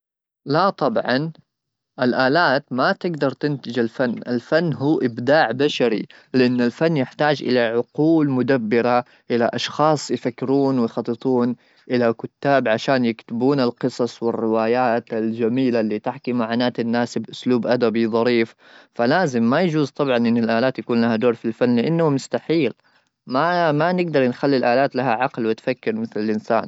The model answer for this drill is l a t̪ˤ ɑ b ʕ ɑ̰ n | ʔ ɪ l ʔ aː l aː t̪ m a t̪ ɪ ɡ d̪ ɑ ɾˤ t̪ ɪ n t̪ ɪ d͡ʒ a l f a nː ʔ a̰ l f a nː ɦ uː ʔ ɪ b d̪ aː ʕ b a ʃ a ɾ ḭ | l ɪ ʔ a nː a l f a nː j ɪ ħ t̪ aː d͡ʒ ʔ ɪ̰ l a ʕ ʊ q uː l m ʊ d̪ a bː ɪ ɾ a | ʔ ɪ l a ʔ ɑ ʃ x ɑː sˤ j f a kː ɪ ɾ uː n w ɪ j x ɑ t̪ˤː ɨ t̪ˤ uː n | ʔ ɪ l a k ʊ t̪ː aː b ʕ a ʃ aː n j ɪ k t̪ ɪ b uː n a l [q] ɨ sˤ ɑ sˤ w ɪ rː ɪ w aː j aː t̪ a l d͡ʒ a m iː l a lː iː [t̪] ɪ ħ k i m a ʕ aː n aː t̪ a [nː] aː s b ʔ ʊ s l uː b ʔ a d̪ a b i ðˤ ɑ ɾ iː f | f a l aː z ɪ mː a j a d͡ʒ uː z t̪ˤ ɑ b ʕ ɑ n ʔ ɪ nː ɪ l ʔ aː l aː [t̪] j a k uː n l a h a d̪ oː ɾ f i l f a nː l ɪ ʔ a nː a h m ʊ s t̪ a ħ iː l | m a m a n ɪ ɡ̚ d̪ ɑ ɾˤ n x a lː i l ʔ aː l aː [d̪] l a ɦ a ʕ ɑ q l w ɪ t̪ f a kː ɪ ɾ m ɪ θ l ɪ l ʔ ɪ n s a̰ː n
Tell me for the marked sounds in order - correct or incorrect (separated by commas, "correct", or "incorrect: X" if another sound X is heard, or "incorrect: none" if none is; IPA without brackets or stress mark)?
correct, correct, correct, correct, incorrect: t̪